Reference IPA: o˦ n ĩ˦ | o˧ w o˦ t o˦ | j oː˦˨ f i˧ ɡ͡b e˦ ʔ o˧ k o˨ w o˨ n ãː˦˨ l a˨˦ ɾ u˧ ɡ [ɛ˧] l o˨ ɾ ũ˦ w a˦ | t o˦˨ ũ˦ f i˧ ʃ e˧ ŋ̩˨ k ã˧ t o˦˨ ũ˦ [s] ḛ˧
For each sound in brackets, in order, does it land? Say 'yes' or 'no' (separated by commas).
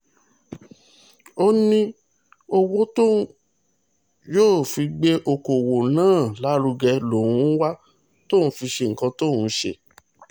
yes, no